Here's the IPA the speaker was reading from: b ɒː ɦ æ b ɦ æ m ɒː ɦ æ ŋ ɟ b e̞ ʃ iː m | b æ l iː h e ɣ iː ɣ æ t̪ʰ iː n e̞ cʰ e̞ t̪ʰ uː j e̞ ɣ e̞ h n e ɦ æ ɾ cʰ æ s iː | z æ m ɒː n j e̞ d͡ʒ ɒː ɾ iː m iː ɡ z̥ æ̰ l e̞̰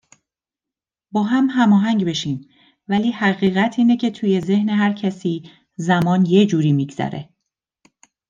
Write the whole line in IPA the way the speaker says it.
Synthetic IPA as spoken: b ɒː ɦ æ m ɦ æ m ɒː ɦ æ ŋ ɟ b e̞ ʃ iː m | v æ l iː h æ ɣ iː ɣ æ t̪ʰ iː n e̞ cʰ e̞ t̪ʰ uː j e̞ z e̞ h n e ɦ æ ɾ cʰ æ s iː | z æ m ɒː n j e̞ d͡ʒ uː ɾ iː m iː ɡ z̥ æ̰ ɾ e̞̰